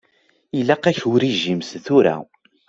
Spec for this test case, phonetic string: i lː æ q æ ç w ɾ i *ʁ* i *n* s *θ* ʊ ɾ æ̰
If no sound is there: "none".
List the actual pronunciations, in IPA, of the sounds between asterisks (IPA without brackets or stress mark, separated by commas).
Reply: ʒ, m, θ